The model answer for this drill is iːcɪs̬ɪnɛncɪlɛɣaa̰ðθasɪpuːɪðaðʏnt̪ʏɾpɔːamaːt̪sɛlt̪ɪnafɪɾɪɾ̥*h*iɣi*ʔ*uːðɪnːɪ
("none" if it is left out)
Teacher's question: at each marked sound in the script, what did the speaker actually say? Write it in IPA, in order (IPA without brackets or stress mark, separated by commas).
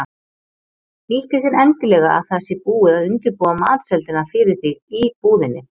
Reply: θ, p